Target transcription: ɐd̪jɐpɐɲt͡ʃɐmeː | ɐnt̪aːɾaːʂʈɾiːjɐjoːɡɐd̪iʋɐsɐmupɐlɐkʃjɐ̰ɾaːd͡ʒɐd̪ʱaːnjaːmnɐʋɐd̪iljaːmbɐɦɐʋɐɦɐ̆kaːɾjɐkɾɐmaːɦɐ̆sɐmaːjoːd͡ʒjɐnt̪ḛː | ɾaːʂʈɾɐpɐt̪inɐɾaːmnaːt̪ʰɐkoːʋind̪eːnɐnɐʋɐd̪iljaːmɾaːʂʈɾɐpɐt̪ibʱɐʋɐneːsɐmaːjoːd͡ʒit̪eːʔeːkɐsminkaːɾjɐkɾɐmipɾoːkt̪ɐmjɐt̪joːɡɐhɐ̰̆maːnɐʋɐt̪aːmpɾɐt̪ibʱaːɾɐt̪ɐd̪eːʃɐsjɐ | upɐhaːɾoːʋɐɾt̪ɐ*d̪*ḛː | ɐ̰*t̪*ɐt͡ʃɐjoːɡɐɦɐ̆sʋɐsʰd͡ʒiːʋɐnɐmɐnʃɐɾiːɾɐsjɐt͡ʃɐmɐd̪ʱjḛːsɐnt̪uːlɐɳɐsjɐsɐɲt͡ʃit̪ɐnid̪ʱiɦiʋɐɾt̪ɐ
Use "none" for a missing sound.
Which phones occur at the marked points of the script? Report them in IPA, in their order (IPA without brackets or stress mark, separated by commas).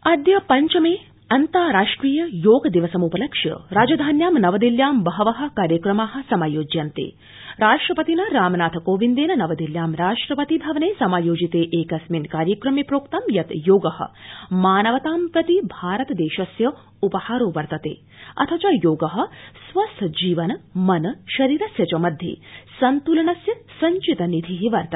t̪, t̪ʰ